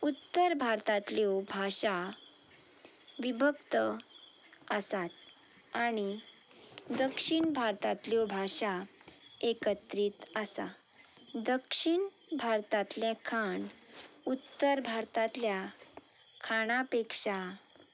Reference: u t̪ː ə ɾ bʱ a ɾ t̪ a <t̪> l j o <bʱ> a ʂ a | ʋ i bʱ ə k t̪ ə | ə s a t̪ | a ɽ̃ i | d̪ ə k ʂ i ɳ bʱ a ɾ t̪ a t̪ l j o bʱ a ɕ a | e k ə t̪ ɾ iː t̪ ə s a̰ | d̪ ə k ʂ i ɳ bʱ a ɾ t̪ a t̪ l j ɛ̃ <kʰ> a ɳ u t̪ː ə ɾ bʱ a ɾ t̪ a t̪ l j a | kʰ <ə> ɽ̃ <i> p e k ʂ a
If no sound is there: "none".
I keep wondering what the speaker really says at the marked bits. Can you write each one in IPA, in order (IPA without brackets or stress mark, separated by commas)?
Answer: t̪, bʱ, kʰ, a, a